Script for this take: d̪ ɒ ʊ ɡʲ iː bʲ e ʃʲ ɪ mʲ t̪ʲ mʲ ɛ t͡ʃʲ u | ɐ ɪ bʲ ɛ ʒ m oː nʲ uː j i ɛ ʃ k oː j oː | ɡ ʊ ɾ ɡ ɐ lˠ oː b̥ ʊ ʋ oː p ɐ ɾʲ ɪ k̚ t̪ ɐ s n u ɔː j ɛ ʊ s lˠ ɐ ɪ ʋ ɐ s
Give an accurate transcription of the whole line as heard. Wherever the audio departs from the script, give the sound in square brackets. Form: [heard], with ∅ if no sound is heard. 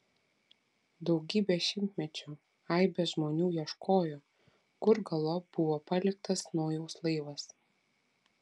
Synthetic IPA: d̪ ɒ ʊ ɡʲ iː bʲ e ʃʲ ɪ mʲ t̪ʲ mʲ ɛ t͡ʃʲ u | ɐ ɪ bʲ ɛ ʒ m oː nʲ uː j i ɛ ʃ k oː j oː | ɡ ʊ ɾ ɡ ɐ lˠ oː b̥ ʊ ʋ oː p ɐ [lʲ] ɪ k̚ t̪ ɐ s n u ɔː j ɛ ʊ s lˠ ɐ ɪ ʋ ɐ s

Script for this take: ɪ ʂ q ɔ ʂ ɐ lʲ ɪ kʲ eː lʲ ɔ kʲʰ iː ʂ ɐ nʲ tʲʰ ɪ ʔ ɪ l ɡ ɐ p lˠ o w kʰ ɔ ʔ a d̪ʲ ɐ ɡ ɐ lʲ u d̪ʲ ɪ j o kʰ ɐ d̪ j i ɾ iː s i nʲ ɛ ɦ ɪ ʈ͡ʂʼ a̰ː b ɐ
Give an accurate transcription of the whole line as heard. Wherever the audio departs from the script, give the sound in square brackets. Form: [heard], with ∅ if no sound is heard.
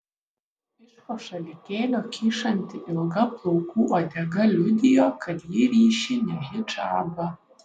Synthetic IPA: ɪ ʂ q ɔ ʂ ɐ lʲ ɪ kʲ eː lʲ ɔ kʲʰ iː ʂ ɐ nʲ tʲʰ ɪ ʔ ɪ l ɡ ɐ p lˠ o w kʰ [u] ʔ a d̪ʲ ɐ ɡ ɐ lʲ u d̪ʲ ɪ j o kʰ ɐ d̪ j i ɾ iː [ʃ] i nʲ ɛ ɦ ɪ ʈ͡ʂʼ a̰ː b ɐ

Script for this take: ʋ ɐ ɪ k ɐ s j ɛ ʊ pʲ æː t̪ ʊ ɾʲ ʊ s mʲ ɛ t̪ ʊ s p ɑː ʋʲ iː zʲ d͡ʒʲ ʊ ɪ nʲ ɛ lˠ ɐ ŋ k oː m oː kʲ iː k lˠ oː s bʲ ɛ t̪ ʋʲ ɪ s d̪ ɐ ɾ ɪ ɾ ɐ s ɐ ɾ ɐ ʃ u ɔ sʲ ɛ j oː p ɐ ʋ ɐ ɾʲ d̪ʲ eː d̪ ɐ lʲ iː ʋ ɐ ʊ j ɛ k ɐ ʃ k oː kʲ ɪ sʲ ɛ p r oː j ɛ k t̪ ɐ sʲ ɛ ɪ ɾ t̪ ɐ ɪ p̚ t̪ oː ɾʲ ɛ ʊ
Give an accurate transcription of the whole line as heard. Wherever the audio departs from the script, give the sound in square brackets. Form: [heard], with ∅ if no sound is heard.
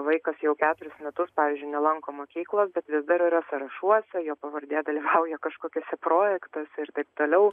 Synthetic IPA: ʋ ɐ ɪ k ɐ s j ɛ ʊ [kʲ] æː t̪ ʊ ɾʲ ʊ s mʲ ɛ t̪ ʊ s p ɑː ʋʲ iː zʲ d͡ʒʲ ʊ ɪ nʲ ɛ lˠ ɐ ŋ k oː m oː kʲ iː k lˠ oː s bʲ ɛ t̪ ʋʲ ɪ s d̪ ɐ ɾ ɪ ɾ ɐ s ɐ ɾ ɐ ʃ u ɔ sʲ ɛ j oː p ɐ ʋ ɐ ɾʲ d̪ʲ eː d̪ ɐ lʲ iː ʋ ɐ ʊ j ɛ k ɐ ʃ k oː kʲ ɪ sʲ ɛ p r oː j ɛ k t̪ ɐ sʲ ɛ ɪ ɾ t̪ ɐ ɪ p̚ t̪ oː [lʲ] ɛ ʊ

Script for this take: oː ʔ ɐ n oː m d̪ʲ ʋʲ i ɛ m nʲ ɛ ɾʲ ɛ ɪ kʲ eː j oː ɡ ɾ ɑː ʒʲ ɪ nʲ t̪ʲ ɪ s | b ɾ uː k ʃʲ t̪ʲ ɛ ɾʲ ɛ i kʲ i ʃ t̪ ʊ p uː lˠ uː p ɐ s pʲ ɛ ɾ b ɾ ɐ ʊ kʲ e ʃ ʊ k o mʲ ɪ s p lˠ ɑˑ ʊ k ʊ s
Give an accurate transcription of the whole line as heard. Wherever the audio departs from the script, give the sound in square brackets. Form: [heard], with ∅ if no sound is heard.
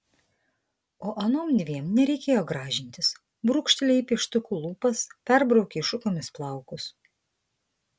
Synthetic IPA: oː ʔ ɐ n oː m d̪ʲ ʋʲ i ɛ m nʲ ɛ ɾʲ ɛ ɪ kʲ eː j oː ɡ ɾ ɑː ʒʲ ɪ nʲ t̪ʲ ɪ s | b ɾ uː k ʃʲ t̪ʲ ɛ [lʲ] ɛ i [pʲ] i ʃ t̪ ʊ [k] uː lˠ uː p ɐ s pʲ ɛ ɾ b ɾ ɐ ʊ kʲ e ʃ ʊ k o mʲ ɪ s p lˠ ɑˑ ʊ k ʊ s

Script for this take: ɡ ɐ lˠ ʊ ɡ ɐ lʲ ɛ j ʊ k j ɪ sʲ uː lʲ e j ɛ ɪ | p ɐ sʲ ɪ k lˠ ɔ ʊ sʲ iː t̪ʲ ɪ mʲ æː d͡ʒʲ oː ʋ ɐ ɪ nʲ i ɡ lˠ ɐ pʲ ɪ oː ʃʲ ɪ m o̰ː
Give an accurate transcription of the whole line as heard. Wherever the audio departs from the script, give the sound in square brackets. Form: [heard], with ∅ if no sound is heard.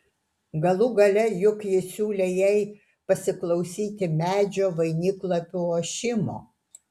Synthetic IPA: ɡ ɐ lˠ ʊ ɡ ɐ lʲ ɛ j ʊ k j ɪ sʲ uː lʲ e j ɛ ɪ | p ɐ sʲ ɪ k lˠ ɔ ʊ sʲ iː t̪ʲ ɪ mʲ æː d͡ʒʲ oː ʋ ɐ ɪ nʲ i [k] lˠ ɐ pʲ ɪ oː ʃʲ ɪ m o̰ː

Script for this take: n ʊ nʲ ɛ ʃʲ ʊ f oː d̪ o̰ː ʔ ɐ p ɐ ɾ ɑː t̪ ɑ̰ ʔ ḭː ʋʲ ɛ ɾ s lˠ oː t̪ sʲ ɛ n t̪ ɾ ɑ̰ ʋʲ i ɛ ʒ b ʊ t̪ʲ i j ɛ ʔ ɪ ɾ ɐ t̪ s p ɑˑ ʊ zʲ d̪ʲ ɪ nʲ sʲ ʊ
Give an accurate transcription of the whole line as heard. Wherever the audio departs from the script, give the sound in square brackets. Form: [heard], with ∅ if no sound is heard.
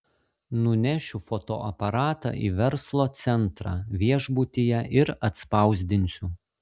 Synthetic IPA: n ʊ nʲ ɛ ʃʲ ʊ f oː [t̪] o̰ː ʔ ɐ p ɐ ɾ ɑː t̪ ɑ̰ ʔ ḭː ʋʲ ɛ ɾ s lˠ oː t̪ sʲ ɛ n t̪ ɾ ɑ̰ ʋʲ i ɛ ʒ b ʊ t̪ʲ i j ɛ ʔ ɪ ɾ ɐ t̪ s p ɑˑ ʊ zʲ d̪ʲ ɪ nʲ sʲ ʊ

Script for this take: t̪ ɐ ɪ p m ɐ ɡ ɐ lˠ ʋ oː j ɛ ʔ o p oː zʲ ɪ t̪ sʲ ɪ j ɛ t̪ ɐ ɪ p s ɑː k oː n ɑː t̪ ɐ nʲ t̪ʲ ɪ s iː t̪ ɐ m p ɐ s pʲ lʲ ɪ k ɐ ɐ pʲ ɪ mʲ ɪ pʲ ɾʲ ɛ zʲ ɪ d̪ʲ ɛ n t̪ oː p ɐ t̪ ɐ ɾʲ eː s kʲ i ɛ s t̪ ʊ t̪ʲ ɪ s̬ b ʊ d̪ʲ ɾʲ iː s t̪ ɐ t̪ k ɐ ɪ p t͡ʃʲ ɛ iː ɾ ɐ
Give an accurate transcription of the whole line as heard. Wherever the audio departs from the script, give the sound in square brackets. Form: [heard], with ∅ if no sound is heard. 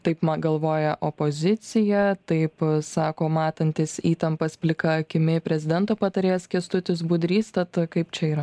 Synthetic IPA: t̪ ɐ ɪ p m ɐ ɡ ɐ lˠ ʋ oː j ɛ ʔ o p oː zʲ ɪ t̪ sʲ ɪ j ɛ t̪ ɐ ɪ p s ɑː k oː [m] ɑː t̪ ɐ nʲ t̪ʲ ɪ s iː t̪ ɐ m p ɐ s pʲ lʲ ɪ k ɐ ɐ [kʲ] ɪ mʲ ɪ pʲ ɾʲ ɛ zʲ ɪ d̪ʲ ɛ n t̪ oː p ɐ t̪ ɐ ɾʲ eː s kʲ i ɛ s t̪ ʊ t̪ʲ ɪ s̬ b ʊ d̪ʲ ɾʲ iː s t̪ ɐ t̪ k ɐ ɪ p t͡ʃʲ ɛ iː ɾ ɐ

